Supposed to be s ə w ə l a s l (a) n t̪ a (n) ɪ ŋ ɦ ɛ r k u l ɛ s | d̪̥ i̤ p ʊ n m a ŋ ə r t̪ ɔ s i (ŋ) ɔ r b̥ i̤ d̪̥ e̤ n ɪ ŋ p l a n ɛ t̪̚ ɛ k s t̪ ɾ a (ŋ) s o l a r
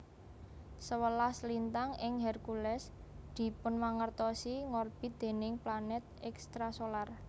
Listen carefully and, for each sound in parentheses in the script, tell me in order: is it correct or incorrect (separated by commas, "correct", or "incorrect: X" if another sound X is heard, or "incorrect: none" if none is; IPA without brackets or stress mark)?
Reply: incorrect: i, incorrect: ŋ, correct, incorrect: none